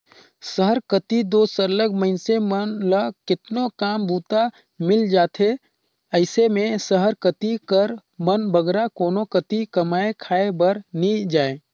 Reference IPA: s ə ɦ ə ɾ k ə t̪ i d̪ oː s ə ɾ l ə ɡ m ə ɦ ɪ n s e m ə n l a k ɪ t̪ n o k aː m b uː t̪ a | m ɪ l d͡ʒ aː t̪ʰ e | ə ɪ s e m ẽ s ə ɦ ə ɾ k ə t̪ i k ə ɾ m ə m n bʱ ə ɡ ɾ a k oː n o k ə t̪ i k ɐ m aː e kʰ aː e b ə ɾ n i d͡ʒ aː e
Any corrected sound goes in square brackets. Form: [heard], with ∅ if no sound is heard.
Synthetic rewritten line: s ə ɦ ə ɾ k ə t̪ i d̪ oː s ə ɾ l ə ɡ m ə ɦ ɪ n s e m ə n l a k ɪ t̪ n o k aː m b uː t̪ a | m ɪ l d͡ʒ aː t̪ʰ e | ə ɪ s e m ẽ s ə ɦ ə ɾ k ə t̪ i k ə ɾ m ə [∅] n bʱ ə ɡ ɾ a k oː n o k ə t̪ i k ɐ m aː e kʰ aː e b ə ɾ n i d͡ʒ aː e

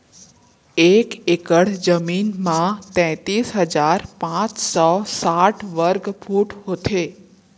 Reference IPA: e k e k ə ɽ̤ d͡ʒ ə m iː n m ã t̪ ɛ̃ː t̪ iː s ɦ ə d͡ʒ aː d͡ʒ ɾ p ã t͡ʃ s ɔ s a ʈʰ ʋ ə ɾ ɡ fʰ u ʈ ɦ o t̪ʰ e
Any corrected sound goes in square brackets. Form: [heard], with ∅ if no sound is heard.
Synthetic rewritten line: e k e k ə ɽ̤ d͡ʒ ə m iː n m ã t̪ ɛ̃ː t̪ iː s ɦ ə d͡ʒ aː [∅] ɾ p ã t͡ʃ s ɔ s a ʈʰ ʋ ə ɾ ɡ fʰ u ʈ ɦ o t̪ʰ e

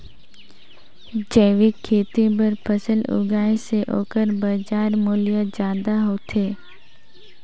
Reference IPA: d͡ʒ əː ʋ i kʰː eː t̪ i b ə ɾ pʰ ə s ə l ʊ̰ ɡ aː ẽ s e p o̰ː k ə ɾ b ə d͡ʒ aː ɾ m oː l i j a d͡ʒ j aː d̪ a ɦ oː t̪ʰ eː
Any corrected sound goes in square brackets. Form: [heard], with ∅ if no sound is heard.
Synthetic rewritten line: d͡ʒ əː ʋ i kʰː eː t̪ i b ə ɾ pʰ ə s ə l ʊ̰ ɡ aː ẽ s e [ʔ] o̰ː k ə ɾ b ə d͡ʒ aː ɾ m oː l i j a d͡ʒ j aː d̪ a ɦ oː t̪ʰ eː

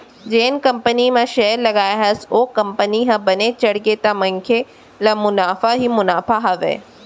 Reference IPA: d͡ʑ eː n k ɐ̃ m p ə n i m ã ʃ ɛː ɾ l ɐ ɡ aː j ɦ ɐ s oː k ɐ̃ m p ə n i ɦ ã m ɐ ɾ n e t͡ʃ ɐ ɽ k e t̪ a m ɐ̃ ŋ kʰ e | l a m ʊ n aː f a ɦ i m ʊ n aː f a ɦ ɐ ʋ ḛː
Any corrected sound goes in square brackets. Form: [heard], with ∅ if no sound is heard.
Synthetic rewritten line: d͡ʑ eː n k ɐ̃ m p ə n i m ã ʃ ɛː ɾ l ɐ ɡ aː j ɦ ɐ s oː k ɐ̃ m p ə n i ɦ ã [b] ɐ [∅] n e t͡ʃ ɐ ɽ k e t̪ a m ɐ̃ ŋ kʰ e | l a m ʊ n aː f a ɦ i m ʊ n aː f a ɦ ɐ ʋ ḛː

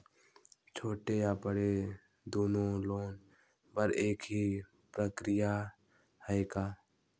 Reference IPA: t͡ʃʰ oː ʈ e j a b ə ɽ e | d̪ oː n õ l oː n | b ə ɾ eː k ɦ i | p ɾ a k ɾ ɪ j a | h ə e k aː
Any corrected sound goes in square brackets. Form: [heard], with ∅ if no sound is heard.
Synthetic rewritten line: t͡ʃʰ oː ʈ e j a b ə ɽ e | d̪ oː n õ l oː n | b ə ɾ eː k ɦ i | p ɾ [ə] k ɾ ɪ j a | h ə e k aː

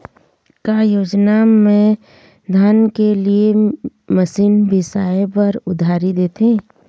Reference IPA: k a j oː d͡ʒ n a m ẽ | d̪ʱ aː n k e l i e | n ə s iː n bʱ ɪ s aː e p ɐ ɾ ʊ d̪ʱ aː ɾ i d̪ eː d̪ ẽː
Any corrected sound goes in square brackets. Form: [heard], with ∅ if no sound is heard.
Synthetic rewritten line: k a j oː d͡ʒ n a m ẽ | d̪ʱ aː n k e l i e | [m] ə s iː n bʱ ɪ s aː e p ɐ ɾ ʊ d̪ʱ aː ɾ i d̪ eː [t̪] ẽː

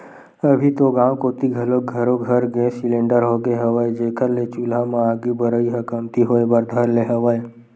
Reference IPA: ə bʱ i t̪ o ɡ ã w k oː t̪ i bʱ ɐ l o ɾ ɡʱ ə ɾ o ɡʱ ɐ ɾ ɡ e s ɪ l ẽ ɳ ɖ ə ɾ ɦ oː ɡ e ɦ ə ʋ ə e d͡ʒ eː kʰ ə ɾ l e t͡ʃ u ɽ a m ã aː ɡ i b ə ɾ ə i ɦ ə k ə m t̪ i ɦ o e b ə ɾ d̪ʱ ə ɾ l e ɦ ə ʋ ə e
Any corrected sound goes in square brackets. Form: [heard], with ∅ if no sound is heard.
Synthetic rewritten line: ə bʱ i t̪ o ɡ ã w k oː t̪ i [ɡʱ] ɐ l o [∅] ɡʱ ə ɾ o ɡʱ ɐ ɾ ɡ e s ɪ l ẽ ɳ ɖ ə ɾ ɦ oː ɡ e ɦ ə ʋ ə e d͡ʒ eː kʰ ə ɾ l e t͡ʃ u [l] a m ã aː ɡ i b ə ɾ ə i ɦ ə k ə m t̪ i ɦ o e b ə ɾ d̪ʱ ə ɾ l e ɦ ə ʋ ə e

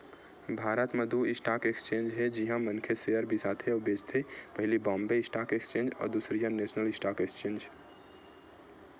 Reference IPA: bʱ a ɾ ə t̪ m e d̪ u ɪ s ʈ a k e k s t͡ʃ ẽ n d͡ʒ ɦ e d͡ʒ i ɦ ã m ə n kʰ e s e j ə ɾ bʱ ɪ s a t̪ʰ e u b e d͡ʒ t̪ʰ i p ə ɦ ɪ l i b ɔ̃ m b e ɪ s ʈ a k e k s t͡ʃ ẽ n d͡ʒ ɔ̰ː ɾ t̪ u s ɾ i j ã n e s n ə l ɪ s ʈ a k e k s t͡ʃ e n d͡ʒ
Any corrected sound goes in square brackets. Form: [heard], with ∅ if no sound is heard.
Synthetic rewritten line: bʱ a ɾ ə t̪ m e d̪ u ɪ s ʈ a k e k s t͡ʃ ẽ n d͡ʒ ɦ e d͡ʒ i ɦ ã m ə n kʰ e s e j ə ɾ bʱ [i] s a t̪ʰ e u b e d͡ʒ t̪ʰ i p ə ɦ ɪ l i b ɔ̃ m b e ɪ s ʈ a k e k s t͡ʃ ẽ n d͡ʒ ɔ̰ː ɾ [d̪] u s ɾ i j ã n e s n ə l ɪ s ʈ a k e k s t͡ʃ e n d͡ʒ

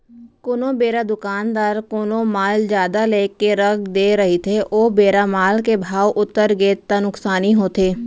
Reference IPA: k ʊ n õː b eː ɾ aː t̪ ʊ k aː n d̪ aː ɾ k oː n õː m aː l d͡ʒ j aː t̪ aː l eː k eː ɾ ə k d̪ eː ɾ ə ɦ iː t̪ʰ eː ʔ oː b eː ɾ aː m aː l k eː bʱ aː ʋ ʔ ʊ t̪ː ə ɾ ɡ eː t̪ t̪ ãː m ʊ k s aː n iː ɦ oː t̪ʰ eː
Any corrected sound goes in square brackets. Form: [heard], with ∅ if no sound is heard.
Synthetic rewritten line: k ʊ n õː b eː ɾ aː [d̪] ʊ k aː n d̪ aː ɾ k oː n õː m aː l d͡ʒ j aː [d̪] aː l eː k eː ɾ ə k d̪ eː ɾ ə ɦ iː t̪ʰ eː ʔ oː b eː ɾ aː m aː l k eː bʱ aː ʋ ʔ ʊ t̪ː ə ɾ ɡ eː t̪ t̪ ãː [n] ʊ k s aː n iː ɦ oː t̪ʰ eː

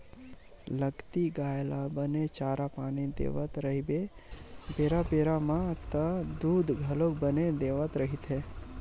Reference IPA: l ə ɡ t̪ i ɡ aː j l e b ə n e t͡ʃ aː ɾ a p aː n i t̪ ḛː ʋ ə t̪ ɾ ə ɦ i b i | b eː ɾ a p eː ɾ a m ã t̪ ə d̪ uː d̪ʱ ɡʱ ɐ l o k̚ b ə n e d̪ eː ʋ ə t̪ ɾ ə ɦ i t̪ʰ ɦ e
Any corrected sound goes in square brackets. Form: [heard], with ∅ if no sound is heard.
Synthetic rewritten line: l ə ɡ t̪ i ɡ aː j l [a] b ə n e t͡ʃ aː ɾ a p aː n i [d̪] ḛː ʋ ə t̪ ɾ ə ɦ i b [e] | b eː ɾ a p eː ɾ a m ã t̪ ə d̪ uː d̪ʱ ɡʱ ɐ l o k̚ b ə n e d̪ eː ʋ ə t̪ ɾ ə ɦ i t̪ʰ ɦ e

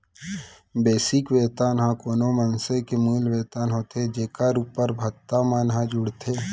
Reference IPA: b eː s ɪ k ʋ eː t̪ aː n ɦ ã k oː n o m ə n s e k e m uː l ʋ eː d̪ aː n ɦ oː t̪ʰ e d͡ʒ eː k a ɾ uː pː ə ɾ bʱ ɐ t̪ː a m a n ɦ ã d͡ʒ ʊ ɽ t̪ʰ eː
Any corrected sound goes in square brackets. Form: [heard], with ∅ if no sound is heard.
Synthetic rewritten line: b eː s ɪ k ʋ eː t̪ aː n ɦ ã k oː n o m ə n s e k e m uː l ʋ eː [t̪] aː n ɦ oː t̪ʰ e d͡ʒ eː k a ɾ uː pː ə ɾ bʱ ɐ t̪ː a m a n ɦ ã d͡ʒ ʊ ɽ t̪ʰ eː

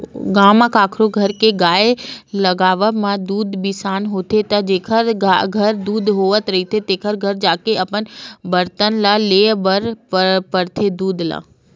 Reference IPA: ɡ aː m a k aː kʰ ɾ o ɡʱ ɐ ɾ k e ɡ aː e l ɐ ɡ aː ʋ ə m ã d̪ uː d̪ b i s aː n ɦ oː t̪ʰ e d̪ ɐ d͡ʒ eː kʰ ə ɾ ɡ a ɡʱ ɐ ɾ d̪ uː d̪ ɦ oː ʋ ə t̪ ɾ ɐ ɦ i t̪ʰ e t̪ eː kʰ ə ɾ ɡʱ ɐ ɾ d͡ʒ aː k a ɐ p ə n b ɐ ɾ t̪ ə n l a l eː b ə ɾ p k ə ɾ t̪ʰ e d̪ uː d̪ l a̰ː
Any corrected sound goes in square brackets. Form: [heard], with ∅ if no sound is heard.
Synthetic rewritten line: ɡ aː m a k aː kʰ ɾ o ɡʱ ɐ ɾ k e ɡ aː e l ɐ ɡ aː ʋ ə m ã d̪ uː d̪ b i s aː n ɦ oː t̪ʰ e [t̪] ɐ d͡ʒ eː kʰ ə ɾ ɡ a ɡʱ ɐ ɾ d̪ uː d̪ ɦ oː ʋ ə t̪ ɾ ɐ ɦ i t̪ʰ e t̪ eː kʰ ə ɾ ɡʱ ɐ ɾ d͡ʒ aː k [e] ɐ p ə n b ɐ ɾ t̪ ə n l a l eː b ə ɾ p [p] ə ɾ t̪ʰ e d̪ uː d̪ l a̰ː

